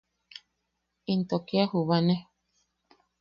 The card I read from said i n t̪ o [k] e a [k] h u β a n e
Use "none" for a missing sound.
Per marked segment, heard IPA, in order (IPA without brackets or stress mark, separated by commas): k, none